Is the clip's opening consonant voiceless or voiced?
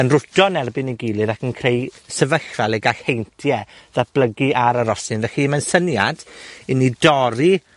voiced